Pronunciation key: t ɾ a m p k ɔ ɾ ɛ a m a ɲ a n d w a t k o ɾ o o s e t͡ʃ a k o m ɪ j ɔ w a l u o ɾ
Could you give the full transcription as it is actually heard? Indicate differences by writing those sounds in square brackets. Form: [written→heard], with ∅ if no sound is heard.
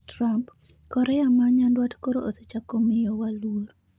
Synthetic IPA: t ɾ a m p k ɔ ɾ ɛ a m a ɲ a n d w a t k o ɾ o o s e t͡ʃ a k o m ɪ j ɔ w a l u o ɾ